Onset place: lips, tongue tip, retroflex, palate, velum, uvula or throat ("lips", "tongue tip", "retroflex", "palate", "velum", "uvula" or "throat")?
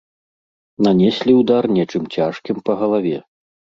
tongue tip